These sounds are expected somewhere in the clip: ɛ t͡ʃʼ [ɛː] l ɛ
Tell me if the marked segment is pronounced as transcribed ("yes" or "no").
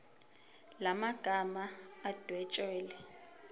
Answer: yes